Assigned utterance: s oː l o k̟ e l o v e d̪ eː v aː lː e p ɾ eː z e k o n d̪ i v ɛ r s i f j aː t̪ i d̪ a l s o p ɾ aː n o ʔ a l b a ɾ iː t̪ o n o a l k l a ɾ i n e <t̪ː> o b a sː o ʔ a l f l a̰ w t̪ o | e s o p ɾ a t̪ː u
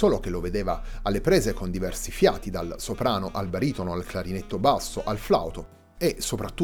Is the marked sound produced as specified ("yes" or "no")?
yes